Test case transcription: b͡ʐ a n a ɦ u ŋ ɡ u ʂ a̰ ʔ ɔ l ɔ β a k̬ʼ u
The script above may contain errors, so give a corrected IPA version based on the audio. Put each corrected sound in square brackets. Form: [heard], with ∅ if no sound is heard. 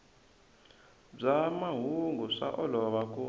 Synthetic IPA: b͡ʐ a [m] a ɦ u ŋ ɡ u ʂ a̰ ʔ ɔ l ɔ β a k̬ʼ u